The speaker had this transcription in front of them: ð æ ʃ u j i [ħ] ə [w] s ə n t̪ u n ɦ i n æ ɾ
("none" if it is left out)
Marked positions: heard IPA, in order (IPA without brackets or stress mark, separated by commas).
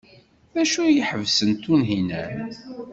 ħ, v